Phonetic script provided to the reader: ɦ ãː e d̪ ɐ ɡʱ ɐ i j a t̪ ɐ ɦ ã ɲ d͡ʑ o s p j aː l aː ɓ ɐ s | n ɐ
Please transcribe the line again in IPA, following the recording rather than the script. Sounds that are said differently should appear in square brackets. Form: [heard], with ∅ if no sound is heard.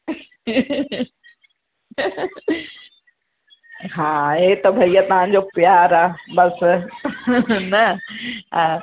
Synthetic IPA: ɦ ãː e [t̪] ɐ [bʱ] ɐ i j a t̪ ɐ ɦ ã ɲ d͡ʑ o [∅] p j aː [ɾ] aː [b] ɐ s | n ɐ